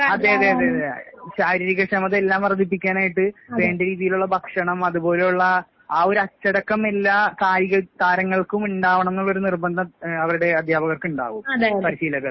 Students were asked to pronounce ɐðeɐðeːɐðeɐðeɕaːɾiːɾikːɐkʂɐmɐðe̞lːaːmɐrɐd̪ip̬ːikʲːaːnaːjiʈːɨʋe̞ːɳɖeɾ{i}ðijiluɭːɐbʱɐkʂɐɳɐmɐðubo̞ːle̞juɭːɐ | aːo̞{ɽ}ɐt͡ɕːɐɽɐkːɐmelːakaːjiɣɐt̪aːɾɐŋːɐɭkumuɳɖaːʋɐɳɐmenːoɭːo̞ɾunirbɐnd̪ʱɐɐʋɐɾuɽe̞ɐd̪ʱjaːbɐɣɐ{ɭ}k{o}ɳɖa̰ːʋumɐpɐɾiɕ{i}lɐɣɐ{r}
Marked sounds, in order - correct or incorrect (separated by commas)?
incorrect, incorrect, incorrect, incorrect, incorrect, incorrect